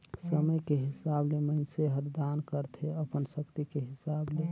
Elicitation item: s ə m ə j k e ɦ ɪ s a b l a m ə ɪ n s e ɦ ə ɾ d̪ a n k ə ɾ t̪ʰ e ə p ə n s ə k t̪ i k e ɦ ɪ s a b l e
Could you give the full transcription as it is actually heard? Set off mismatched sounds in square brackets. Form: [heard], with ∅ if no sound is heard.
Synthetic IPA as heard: s ə m ə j k e ɦ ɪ s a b l [e] m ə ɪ n s e ɦ ə ɾ d̪ a n k ə ɾ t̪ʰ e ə p ə n s ə k t̪ i k e ɦ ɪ s a b l e